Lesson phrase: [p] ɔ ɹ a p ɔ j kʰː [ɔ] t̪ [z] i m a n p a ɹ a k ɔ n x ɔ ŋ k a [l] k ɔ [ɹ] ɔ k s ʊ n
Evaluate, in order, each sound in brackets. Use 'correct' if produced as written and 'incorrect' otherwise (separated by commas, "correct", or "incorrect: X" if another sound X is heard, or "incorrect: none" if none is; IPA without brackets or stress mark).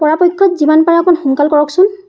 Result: correct, correct, correct, correct, correct